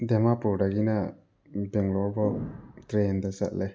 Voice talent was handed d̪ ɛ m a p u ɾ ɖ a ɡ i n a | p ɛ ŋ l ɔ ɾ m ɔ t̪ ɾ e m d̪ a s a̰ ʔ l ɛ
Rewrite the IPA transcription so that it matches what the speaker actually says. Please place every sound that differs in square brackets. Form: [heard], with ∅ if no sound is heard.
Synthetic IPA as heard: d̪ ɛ m a p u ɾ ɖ a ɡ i n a | [b] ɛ ŋ l ɔ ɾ [b] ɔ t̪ ɾ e [n] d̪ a s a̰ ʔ l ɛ

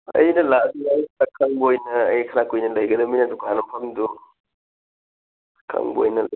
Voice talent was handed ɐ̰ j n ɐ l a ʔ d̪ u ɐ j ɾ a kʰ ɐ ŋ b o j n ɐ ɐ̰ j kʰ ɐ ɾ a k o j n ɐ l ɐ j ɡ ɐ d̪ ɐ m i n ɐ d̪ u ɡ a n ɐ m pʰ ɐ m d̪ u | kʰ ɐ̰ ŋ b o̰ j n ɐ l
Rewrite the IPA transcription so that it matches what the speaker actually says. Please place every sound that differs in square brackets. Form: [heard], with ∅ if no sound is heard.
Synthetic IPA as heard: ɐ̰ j n ɐ l a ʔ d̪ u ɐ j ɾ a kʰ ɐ ŋ b o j n ɐ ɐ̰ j kʰ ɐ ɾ a k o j n ɐ l ɐ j ɡ ɐ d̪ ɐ m i n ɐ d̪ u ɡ a n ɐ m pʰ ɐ m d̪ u | kʰ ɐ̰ ŋ b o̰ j n ɐ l

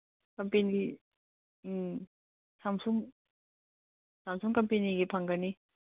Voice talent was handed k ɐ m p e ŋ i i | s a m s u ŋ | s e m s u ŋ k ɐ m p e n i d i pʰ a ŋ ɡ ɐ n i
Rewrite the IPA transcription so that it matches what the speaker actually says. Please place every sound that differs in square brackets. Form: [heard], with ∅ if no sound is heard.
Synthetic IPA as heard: k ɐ m p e [n] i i | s a m s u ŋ | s [a] m s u ŋ k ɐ m p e n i [ɡ] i pʰ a ŋ ɡ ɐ n i

